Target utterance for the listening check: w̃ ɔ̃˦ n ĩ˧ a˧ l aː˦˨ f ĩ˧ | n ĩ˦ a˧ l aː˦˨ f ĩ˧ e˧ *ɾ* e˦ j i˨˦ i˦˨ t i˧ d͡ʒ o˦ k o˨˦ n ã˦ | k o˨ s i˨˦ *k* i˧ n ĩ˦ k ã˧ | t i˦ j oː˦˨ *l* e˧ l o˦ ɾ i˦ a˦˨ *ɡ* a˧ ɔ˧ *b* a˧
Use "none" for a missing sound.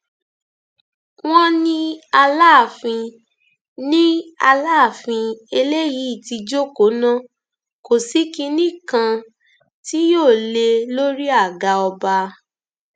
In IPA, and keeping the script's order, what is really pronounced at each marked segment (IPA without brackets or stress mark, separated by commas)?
l, k, l, ɡ, b